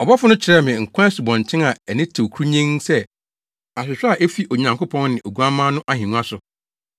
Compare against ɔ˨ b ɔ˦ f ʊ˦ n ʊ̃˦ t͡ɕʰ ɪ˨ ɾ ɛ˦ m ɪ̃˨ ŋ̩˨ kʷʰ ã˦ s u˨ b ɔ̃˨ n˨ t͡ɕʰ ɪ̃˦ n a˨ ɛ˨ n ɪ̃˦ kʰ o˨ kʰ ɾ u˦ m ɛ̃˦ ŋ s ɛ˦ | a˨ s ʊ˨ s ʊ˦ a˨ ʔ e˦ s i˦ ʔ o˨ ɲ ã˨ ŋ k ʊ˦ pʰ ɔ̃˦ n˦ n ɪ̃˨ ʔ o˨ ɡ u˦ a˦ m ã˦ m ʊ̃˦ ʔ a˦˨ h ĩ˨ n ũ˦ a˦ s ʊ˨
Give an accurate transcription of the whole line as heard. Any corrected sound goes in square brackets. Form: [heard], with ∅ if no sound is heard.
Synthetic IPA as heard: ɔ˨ b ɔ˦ f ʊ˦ n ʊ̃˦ t͡ɕʰ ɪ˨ ɾ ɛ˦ m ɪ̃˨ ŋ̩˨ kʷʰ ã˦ s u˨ b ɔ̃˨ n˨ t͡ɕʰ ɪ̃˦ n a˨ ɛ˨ n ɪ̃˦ [tʰ] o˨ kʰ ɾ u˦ [ɲ] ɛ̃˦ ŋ s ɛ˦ | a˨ s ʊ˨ s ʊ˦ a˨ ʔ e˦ [f] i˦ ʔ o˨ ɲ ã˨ ŋ k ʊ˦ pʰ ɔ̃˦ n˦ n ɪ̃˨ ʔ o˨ ɡ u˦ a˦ m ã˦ [n] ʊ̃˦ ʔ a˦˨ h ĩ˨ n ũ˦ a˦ s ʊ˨